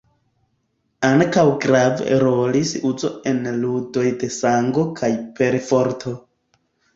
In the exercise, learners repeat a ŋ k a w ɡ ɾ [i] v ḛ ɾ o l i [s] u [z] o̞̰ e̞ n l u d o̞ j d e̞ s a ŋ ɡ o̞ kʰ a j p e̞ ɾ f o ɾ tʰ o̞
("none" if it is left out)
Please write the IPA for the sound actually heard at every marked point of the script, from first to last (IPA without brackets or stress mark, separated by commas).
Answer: a, s, z